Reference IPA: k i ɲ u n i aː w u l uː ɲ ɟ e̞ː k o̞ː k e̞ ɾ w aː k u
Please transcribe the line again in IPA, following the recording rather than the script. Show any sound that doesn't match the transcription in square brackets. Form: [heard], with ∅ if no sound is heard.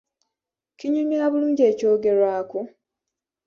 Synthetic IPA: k i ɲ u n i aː [β] u l uː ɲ ɟ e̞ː [c] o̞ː [ɡ] e̞ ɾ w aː k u